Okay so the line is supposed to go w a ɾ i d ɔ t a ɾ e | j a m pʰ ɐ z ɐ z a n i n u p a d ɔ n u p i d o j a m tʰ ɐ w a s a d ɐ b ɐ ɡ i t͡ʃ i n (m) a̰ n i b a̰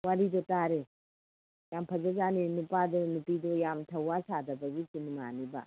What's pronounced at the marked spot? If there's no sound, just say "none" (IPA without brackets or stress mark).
m